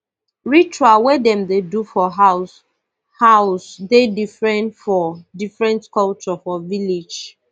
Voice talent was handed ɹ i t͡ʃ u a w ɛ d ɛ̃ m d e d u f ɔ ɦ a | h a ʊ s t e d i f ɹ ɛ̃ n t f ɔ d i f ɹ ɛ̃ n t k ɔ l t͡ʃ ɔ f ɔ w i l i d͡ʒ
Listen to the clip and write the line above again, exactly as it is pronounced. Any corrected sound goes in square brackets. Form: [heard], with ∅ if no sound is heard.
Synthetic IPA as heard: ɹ i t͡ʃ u a w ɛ d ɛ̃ m d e d u f ɔ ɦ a | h a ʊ s [d] e d i f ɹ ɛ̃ n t f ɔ d i f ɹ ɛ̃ n t k ɔ l t͡ʃ ɔ f ɔ [v] i l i d͡ʒ

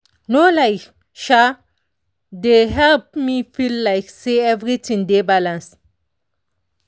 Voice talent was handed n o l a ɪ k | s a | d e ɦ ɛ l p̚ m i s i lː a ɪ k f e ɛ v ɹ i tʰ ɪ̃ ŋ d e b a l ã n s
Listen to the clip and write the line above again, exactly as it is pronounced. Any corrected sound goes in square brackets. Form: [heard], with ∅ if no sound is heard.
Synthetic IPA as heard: n o l a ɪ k | [ʃ] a | d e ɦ ɛ l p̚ m i [f] i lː a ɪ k [s] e ɛ v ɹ i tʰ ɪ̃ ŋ d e b a l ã n s

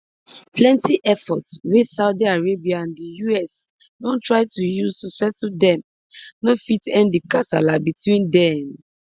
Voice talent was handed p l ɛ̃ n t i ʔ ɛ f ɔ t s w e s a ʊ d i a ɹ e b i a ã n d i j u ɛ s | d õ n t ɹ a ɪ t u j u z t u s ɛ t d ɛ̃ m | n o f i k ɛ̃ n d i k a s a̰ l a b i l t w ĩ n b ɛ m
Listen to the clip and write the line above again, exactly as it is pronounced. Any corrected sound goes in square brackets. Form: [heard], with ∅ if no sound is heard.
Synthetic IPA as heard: p l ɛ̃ n t i ʔ ɛ f ɔ t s w e s a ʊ d i a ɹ e b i a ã n d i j u ɛ s | d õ n t ɹ a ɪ t u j u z t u s ɛ t d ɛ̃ m | n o f i [t] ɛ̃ n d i k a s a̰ l a b i [∅] t w ĩ n [d] ɛ m

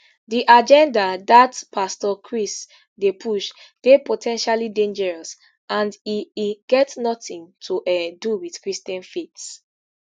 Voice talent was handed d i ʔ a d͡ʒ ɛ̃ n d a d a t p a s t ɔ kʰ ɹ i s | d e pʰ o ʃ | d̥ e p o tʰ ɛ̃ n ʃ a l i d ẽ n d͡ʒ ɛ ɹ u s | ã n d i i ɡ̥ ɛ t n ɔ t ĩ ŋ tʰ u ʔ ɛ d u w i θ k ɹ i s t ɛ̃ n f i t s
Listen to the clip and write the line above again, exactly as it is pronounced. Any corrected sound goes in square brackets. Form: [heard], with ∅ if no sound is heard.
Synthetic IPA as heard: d i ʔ a d͡ʒ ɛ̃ n d a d a t p a s t ɔ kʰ ɹ i s | d e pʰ [u] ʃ | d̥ e p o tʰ ɛ̃ n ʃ a l i d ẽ n d͡ʒ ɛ ɹ [ɔ] s | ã n d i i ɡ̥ ɛ t n ɔ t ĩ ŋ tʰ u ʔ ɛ d u w i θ k ɹ i s t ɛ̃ n f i t s

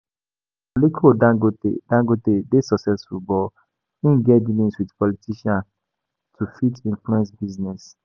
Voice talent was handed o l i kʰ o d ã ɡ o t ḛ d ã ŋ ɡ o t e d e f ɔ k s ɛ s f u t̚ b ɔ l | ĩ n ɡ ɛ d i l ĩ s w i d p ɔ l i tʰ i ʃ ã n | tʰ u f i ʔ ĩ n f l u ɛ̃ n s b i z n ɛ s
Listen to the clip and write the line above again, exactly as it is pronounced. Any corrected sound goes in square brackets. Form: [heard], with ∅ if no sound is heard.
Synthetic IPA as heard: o l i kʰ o d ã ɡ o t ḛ d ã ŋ ɡ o t e d e [s] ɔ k s ɛ s f u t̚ b ɔ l | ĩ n ɡ ɛ d i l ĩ s w i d p ɔ l i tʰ i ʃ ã n | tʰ u f i [t] ĩ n f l u ɛ̃ n s b i z n ɛ s

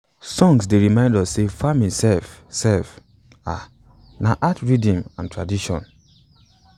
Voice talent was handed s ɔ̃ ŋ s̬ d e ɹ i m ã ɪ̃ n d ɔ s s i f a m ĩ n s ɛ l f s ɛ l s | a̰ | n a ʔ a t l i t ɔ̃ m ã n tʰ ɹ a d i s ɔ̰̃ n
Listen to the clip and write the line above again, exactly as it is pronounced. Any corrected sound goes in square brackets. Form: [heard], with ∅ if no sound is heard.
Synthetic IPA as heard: s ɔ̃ ŋ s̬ d e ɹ i m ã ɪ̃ n d ɔ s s [e] f a m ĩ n s ɛ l f s ɛ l [f] | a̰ | n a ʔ a t [ɹ] i [d] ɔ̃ m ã n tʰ ɹ a d i [ʃ] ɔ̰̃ n

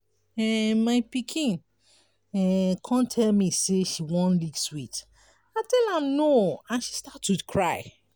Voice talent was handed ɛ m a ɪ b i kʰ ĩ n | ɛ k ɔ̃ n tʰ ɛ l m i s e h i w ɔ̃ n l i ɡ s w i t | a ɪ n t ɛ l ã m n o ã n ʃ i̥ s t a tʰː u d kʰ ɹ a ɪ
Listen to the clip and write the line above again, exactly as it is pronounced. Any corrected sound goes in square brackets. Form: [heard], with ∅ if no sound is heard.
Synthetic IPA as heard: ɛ m a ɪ [p] i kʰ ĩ n | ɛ [kʰ] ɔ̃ n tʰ ɛ l m i s e [ʃ] i w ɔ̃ n l i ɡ s w i t | a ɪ [∅] t ɛ l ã m n o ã n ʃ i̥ s t a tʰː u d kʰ ɹ a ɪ

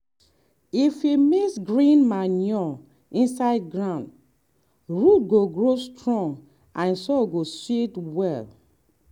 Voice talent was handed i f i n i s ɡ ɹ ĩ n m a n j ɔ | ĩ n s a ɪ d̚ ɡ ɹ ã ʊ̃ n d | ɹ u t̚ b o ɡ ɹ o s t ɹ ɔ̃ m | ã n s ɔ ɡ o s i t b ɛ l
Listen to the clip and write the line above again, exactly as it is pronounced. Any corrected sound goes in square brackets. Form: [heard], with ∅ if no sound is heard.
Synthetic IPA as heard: i f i [m] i s ɡ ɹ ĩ n m a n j ɔ | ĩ n s a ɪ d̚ ɡ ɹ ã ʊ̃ n d | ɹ u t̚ [ɡ] o ɡ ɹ o s t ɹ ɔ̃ [ŋ] | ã n s ɔ ɡ o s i t [w] ɛ l

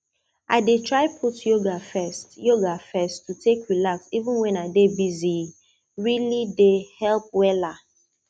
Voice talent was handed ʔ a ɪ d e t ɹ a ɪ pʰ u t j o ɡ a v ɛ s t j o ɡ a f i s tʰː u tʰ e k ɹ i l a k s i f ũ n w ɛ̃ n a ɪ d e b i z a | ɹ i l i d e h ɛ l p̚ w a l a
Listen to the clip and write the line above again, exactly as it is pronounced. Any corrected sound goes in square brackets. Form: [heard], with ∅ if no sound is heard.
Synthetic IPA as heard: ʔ a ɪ d e t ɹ a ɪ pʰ u t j o ɡ a [f] ɛ s t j o ɡ a f [ɛ] s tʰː u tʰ e k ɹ i l a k s i [v] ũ n w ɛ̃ n a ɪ d e b i z [i] | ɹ i l i d e h ɛ l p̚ w [ɛ] l a

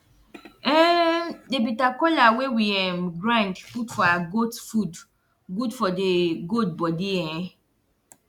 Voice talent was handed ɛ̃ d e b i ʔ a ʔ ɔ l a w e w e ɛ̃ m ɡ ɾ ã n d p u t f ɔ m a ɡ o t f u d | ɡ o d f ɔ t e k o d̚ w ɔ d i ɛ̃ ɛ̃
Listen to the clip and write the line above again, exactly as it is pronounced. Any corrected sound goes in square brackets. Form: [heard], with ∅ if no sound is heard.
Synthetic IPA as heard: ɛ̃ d e b i [t] a [k] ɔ l a w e w [i] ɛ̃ m ɡ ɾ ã n d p u t f ɔ [∅] a ɡ o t f u d | ɡ [u] d f ɔ [d] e [ɡ] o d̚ [b] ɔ d i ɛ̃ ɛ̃

